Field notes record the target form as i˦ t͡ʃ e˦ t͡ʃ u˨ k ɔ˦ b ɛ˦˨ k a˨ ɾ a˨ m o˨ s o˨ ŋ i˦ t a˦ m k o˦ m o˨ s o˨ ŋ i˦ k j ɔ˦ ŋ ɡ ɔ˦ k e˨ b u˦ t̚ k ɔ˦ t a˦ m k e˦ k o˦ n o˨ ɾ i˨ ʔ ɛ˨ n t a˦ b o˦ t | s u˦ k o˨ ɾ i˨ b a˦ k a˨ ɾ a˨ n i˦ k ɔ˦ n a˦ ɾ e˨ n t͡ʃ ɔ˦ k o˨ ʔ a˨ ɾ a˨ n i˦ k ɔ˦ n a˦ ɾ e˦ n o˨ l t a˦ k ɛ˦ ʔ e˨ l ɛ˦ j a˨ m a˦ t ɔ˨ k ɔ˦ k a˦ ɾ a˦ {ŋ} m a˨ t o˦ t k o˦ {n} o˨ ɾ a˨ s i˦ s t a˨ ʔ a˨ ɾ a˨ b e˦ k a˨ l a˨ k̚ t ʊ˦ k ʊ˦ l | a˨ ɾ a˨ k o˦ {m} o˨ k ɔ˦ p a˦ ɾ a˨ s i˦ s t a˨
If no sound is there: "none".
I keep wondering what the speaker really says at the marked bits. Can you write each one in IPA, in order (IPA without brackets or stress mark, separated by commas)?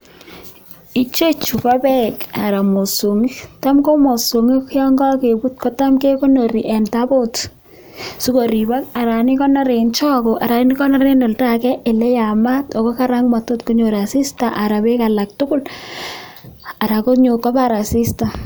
ŋ, ɲ, ɲ